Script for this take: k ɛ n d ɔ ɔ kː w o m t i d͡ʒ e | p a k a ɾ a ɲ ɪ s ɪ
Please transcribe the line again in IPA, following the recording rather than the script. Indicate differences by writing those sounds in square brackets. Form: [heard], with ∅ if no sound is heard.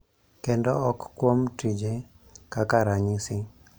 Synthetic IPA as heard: k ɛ n d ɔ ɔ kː w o m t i d͡ʒ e | [k] a k a ɾ a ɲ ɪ s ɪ